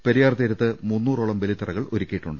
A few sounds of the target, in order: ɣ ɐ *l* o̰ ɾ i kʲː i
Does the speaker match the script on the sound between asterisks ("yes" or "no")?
no